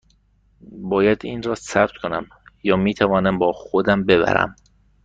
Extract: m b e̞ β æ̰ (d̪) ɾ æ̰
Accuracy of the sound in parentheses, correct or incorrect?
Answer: incorrect